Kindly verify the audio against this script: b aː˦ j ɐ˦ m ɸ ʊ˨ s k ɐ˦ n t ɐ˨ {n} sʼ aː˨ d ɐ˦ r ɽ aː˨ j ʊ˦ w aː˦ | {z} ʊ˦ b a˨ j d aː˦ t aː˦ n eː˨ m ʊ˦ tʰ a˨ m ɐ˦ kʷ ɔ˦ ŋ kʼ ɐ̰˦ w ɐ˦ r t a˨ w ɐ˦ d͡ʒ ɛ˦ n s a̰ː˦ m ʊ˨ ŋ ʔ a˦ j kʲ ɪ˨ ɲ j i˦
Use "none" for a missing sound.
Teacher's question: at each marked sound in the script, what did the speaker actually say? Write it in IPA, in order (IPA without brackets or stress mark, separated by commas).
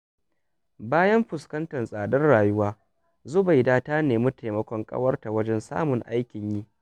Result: n, z